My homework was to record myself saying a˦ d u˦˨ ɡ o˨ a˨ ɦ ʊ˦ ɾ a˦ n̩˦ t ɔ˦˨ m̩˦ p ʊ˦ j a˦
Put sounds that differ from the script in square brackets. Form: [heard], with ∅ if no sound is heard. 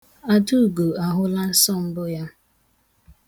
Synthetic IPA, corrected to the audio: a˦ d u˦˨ ɡ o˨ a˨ ɦ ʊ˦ [l] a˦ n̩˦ [s] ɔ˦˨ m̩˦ [b] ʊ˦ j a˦